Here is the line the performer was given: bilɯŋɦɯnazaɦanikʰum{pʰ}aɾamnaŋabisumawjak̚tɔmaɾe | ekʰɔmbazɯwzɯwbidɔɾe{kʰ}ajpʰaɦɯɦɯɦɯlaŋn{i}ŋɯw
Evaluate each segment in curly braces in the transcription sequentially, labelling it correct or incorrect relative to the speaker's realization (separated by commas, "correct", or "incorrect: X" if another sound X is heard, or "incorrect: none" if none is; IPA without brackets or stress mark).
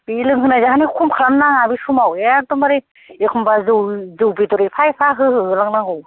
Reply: incorrect: kʰ, incorrect: pʰ, incorrect: a